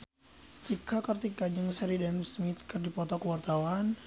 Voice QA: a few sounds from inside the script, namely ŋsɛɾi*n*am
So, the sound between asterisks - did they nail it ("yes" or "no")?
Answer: no